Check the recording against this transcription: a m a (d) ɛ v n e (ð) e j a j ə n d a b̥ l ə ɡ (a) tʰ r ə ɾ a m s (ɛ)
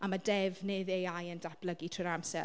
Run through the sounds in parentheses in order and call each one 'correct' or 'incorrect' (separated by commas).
correct, correct, incorrect, correct